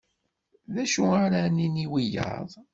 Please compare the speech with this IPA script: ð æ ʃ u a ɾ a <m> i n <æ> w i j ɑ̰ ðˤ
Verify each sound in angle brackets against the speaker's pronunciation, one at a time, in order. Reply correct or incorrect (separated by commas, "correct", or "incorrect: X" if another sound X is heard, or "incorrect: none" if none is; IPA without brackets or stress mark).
incorrect: n, incorrect: i